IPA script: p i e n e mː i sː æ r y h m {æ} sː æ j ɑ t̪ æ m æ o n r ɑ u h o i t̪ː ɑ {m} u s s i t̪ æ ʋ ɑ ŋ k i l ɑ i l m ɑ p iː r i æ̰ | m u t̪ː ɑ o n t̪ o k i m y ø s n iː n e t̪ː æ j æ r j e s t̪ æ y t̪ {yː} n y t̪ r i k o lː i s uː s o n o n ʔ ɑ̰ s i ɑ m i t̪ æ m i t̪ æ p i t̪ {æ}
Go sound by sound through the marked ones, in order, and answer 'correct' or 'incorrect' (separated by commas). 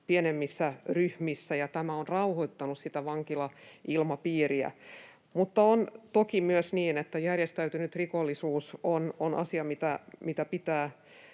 incorrect, incorrect, incorrect, incorrect